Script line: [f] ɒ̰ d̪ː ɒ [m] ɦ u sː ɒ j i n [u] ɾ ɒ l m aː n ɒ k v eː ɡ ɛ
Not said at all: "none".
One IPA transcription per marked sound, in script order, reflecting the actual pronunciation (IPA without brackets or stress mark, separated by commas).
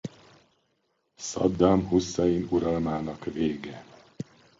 s, m, u